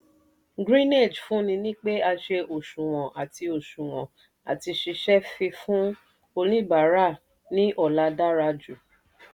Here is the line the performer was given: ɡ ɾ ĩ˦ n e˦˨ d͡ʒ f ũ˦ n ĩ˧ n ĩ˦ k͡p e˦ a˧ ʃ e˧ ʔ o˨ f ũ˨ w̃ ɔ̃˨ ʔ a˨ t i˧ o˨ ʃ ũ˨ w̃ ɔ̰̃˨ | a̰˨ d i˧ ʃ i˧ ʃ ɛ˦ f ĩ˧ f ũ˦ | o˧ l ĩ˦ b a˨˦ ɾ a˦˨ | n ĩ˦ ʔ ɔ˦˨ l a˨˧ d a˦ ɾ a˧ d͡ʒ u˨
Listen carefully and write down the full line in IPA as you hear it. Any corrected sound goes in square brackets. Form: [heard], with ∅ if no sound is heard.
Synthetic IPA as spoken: ɡ ɾ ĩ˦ n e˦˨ d͡ʒ f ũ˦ n ĩ˧ n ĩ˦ k͡p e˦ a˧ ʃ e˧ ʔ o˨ [ʃ] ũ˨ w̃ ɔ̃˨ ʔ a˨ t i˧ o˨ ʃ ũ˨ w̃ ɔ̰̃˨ | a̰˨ [t] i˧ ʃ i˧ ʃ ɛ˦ f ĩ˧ f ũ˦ | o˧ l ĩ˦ b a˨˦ ɾ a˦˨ | n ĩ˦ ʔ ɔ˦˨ l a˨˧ d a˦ ɾ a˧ d͡ʒ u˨